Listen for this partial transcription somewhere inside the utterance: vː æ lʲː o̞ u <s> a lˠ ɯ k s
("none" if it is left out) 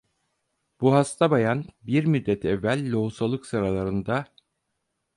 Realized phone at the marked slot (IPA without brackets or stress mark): s